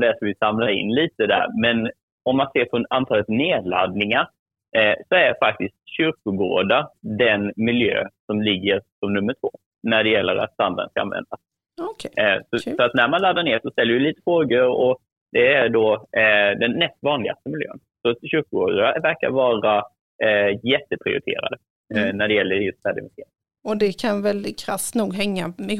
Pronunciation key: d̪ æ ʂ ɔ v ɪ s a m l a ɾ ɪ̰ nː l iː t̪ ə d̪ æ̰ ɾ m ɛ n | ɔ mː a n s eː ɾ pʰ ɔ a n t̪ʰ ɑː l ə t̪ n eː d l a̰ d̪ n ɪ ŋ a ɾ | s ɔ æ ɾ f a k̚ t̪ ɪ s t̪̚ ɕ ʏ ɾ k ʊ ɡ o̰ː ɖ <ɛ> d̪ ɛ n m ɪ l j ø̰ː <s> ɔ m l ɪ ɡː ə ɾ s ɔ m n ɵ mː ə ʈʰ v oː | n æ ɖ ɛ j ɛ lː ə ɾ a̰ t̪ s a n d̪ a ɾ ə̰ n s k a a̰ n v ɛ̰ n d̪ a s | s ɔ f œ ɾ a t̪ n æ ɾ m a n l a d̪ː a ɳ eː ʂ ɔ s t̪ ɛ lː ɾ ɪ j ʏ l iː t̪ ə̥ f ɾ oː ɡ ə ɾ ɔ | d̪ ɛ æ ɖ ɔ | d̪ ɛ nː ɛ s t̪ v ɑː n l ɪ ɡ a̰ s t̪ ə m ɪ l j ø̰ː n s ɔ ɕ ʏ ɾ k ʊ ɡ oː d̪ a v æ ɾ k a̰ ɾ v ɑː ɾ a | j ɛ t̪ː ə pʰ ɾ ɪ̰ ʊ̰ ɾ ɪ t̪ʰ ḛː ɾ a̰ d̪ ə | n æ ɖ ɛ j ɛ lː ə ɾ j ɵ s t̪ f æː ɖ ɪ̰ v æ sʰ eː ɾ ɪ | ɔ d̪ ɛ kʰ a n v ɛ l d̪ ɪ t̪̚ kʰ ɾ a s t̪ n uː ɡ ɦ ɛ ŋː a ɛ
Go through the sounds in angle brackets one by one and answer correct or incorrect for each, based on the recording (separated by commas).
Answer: incorrect, correct